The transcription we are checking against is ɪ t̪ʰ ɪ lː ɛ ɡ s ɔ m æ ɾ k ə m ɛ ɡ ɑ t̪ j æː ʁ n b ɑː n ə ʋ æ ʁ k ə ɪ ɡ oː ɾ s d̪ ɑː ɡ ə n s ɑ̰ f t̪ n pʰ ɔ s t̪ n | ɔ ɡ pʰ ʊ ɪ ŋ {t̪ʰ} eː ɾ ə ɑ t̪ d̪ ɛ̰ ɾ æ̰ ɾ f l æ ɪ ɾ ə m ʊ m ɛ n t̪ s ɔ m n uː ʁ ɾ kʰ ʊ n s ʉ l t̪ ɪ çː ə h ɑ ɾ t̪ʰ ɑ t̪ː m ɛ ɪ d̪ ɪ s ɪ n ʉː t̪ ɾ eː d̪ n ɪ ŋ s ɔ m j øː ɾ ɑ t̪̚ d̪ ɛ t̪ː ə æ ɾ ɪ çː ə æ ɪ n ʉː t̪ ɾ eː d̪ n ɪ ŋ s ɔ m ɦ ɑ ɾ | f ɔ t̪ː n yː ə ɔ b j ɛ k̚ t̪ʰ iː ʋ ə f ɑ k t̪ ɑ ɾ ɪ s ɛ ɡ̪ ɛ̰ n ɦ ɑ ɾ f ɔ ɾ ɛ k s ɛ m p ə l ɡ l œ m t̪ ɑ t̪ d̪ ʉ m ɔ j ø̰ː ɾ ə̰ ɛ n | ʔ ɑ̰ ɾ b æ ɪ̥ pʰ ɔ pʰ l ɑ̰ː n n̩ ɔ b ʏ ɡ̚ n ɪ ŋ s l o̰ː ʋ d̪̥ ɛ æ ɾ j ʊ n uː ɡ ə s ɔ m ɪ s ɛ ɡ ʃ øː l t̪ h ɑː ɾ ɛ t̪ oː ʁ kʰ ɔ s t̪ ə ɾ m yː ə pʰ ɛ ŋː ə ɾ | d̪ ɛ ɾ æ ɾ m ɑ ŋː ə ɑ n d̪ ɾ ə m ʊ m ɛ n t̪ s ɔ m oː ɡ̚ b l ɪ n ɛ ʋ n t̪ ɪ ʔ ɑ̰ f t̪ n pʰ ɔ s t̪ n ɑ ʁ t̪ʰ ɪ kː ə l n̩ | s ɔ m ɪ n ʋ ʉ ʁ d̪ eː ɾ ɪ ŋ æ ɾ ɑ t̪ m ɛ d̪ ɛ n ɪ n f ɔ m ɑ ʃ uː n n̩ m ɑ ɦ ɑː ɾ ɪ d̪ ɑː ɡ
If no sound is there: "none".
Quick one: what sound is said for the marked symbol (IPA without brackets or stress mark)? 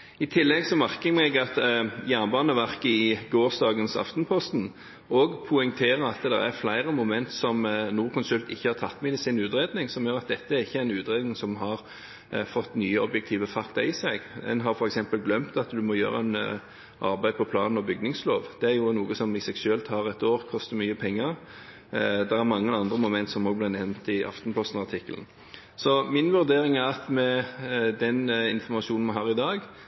t̪ʰ